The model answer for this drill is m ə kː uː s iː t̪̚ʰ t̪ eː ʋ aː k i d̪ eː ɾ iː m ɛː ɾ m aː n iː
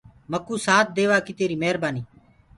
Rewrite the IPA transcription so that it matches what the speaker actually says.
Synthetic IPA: m ə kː uː s aː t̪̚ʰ d̪ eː ʋ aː k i t̪ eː ɾ iː m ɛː ɾ b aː n iː

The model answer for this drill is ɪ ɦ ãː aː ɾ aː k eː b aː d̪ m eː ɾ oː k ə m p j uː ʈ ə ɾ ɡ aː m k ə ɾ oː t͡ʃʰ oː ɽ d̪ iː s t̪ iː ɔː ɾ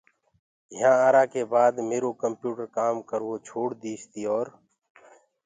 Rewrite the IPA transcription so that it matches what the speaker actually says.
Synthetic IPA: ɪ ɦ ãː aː ɾ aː k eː b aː d̪ m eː ɾ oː k ə m p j uː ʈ ə ɾ k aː m k ə ɾ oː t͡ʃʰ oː ɽ d̪ iː s t̪ iː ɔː ɾ

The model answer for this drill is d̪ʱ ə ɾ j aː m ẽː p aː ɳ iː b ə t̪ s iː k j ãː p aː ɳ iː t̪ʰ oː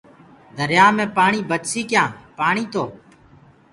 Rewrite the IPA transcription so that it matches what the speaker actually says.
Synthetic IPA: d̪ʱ ə ɾ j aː m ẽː p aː ɳ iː b ə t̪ s iː k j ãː p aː ɳ iː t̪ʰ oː

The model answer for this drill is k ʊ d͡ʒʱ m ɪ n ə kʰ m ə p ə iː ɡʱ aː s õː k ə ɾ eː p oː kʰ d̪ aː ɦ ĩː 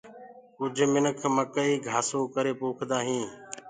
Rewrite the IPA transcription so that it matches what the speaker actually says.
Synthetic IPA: k ʊ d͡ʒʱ m ɪ n ə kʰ m ə k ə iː ɡʱ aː s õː k ə ɾ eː p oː kʰ d̪ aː ɦ ĩː

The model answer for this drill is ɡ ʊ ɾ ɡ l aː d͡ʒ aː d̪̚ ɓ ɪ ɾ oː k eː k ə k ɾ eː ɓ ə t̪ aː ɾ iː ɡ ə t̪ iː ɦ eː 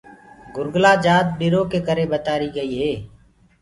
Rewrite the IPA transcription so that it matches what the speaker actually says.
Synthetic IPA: ɡ ʊ ɾ ɡ l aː d͡ʒ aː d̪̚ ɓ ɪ ɾ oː k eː k ə ɾ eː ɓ ə t̪ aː ɾ iː ɡ ə iː ɦ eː

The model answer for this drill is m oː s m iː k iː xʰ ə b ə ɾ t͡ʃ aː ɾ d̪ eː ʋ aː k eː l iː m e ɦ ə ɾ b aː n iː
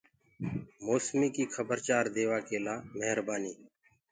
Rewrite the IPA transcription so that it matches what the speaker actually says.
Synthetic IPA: m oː s m iː k iː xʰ ə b ə ɾ t͡ʃ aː ɾ d̪ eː ʋ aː k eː l aː m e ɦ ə ɾ b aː n iː

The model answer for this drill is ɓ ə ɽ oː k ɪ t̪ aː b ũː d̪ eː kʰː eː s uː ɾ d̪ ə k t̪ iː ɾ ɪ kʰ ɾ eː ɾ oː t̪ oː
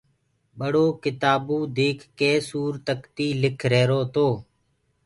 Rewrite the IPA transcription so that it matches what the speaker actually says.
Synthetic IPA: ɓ ə ɽ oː k ɪ t̪ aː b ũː d̪ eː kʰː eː s uː ɾ t̪ ə k t̪ iː l ɪ kʰ ɾ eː ɾ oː t̪ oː

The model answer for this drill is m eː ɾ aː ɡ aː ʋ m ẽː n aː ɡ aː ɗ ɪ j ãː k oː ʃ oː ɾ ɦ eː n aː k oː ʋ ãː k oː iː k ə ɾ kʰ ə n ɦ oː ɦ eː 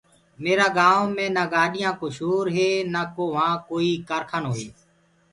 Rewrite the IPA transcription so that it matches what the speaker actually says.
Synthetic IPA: m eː ɾ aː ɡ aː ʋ m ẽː n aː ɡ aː ɗ ɪ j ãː k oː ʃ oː ɾ ɦ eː n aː k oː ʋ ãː k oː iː k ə ɾ kʰ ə n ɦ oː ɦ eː

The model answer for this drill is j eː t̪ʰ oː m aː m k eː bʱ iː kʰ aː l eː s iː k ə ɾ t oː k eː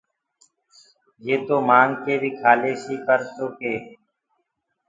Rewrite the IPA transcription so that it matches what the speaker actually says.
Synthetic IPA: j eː t̪ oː m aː ŋ k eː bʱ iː kʰ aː l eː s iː k ə ɾ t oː k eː

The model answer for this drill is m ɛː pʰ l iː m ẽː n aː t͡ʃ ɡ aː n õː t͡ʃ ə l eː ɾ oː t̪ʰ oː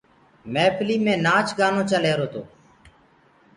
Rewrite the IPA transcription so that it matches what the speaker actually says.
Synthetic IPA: m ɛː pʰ l iː m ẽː n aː t͡ʃ ɡ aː n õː t͡ʃ ə l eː ɾ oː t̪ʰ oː

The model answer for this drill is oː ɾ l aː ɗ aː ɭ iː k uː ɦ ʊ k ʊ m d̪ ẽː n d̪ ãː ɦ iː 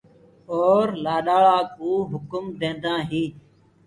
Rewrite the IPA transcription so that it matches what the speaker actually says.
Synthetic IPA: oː ɾ l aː ɗ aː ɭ aː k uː ɦ ʊ k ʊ m d̪ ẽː n d̪ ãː ɦ iː

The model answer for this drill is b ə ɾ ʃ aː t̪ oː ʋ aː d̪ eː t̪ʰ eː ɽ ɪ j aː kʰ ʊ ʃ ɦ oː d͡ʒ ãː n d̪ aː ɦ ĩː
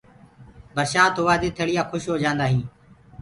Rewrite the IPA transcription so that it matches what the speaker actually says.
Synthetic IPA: b ə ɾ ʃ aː t̪ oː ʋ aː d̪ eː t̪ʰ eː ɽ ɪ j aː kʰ ʊ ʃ ɦ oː d͡ʒ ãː n d̪ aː ɦ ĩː

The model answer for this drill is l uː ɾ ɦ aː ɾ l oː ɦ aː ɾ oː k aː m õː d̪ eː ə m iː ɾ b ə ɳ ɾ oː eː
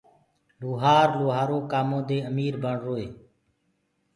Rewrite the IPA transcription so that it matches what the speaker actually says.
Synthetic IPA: l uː ɦ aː ɾ l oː ɦ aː ɾ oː k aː m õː d̪ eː ə m iː ɾ b ə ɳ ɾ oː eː

